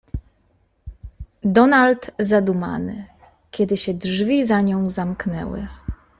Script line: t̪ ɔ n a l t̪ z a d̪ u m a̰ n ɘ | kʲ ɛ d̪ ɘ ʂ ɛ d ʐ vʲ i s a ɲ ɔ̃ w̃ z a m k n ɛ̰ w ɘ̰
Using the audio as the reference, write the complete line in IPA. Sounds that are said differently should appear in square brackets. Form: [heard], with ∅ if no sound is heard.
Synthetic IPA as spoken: [d̪] ɔ n a l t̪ z a d̪ u m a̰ n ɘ | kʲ ɛ d̪ ɘ [ɕ] ɛ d ʐ vʲ i [z] a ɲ ɔ̃ w̃ z a m k n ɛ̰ w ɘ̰